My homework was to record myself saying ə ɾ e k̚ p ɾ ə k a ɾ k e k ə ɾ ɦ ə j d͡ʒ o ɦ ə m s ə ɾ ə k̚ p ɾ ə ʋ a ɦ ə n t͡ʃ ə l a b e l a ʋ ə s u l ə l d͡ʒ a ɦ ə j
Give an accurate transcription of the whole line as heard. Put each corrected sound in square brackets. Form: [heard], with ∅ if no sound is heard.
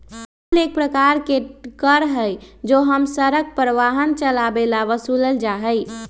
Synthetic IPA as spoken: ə [l] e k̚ p ɾ ə k a ɾ k e k ə ɾ ɦ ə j d͡ʒ o ɦ ə m s ə ɾ ə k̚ p ɾ ə ʋ a ɦ ə n t͡ʃ ə l a b e l a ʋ ə s u l ə l d͡ʒ a ɦ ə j